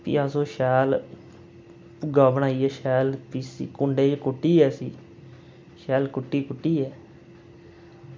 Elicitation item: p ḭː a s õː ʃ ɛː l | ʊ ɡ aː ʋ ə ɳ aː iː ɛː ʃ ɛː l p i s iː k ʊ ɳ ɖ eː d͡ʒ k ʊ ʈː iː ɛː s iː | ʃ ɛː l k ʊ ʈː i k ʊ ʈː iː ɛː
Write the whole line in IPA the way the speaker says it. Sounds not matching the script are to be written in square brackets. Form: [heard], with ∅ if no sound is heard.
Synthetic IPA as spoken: p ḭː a s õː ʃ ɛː l | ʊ ɡ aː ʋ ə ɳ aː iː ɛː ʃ ɛː l p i s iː k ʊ ɳ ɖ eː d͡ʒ k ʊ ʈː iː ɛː s iː | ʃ ɛː l k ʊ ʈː [iː] k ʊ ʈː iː ɛː